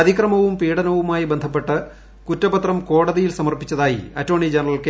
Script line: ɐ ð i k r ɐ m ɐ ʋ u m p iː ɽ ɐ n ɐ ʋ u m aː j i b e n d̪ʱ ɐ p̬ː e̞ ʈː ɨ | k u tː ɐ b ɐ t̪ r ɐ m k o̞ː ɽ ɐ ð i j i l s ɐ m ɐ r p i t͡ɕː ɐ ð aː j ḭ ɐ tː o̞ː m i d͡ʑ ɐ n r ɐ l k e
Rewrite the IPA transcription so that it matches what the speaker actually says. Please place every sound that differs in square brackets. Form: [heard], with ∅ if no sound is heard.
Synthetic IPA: ɐ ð i k r ɐ m ɐ ʋ u m p iː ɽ ɐ n ɐ ʋ u m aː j i b e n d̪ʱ ɐ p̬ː e̞ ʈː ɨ | k u tː ɐ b ɐ t̪ r ɐ m k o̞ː ɽ ɐ ð i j i l s ɐ m ɐ r p i t͡ɕː ɐ ð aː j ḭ ɐ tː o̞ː [ɳ] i d͡ʑ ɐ n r ɐ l k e